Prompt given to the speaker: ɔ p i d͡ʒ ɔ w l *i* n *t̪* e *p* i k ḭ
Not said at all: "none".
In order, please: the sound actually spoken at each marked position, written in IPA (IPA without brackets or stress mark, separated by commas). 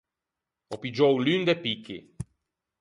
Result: y, d̪, p